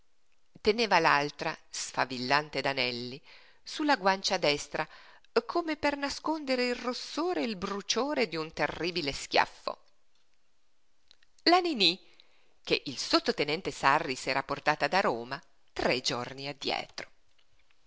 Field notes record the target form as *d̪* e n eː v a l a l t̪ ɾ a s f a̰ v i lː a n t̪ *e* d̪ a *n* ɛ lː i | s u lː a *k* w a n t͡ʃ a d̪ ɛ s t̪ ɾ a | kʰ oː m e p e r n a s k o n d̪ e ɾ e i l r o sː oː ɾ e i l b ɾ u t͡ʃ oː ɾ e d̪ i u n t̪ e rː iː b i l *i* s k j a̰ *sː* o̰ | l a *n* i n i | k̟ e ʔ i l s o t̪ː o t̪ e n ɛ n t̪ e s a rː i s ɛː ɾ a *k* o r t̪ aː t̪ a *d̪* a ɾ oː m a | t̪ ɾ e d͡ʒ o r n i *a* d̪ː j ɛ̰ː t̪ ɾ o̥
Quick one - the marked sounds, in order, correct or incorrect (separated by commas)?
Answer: incorrect, correct, correct, incorrect, incorrect, incorrect, correct, incorrect, correct, correct